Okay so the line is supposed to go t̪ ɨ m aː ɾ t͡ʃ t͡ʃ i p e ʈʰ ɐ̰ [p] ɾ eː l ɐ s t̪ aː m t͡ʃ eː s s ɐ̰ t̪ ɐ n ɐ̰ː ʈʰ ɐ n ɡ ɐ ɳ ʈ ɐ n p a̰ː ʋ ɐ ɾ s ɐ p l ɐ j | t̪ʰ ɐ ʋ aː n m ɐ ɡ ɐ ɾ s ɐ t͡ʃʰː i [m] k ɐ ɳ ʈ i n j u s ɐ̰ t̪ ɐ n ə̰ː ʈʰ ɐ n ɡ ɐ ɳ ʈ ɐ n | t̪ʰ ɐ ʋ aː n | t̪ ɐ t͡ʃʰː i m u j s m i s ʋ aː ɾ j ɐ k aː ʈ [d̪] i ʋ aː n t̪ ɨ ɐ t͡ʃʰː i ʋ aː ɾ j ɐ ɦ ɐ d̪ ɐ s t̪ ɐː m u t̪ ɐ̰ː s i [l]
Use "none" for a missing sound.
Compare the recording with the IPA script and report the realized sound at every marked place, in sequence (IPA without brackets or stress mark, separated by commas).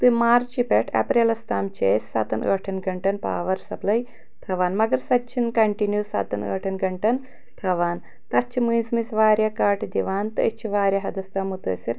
p, n, d̪, ɾ